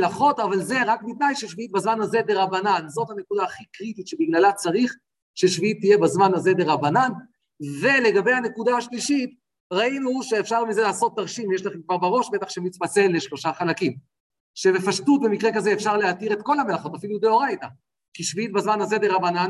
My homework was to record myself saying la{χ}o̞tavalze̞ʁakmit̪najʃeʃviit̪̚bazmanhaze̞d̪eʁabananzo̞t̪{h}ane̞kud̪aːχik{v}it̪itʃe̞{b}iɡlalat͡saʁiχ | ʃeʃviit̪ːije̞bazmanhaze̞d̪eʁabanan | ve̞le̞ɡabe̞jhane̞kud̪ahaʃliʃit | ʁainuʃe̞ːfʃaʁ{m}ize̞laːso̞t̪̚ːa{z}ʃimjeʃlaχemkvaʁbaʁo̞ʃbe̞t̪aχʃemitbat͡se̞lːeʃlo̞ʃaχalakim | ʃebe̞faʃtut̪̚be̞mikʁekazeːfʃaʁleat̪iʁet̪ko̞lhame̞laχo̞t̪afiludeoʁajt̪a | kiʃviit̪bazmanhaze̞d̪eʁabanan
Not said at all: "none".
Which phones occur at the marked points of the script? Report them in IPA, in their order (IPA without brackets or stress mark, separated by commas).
χ, h, ʁ, b, m, ʁ